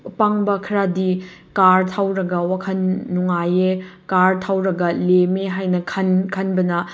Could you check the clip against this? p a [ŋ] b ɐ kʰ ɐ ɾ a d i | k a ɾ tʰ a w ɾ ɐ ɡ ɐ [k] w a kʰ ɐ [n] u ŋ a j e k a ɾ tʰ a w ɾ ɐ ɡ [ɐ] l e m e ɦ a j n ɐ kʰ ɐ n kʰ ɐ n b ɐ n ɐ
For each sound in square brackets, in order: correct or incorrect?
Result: correct, incorrect, incorrect, correct

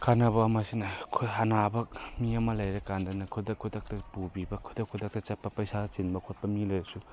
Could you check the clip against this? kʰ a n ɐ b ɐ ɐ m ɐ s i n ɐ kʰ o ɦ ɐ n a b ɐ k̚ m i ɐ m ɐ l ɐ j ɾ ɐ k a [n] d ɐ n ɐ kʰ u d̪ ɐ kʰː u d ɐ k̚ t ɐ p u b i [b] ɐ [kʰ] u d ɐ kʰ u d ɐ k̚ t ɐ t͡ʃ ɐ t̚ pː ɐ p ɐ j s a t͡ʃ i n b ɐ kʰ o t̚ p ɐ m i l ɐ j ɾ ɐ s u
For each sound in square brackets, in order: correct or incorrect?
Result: correct, correct, correct

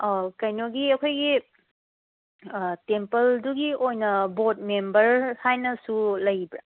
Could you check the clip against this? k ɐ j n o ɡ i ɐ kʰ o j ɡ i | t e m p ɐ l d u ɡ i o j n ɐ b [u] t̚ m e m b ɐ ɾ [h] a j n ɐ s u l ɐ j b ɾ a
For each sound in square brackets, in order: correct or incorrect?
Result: incorrect, correct

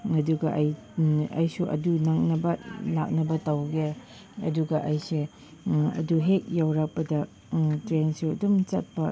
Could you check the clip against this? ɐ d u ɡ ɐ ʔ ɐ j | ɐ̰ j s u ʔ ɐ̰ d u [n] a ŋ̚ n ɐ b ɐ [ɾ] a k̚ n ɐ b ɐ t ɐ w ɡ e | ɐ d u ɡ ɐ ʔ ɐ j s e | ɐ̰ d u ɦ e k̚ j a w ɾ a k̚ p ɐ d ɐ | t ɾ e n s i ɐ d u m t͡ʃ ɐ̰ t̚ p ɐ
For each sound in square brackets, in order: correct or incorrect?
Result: correct, incorrect

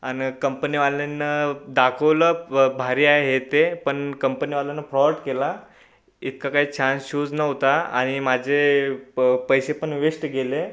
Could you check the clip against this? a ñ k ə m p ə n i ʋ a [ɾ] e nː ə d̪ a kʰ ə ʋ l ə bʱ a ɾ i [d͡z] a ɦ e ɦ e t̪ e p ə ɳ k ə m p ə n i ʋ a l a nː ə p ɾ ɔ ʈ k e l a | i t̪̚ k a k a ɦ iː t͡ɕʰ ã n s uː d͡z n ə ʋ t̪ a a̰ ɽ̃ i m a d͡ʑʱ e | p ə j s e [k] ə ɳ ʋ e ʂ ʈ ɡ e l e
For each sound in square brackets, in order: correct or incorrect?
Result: incorrect, incorrect, incorrect

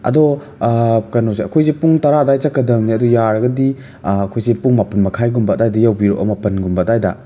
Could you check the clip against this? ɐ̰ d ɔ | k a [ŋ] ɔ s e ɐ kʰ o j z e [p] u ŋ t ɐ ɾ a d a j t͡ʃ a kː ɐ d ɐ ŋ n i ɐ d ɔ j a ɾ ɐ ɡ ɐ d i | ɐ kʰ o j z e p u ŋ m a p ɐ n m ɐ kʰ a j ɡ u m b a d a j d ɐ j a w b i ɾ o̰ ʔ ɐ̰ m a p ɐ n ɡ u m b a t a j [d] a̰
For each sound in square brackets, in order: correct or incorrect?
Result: incorrect, correct, correct

